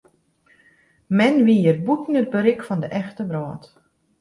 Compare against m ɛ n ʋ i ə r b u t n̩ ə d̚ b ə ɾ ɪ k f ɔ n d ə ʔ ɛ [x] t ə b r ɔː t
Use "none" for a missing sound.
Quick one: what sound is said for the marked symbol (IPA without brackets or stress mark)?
x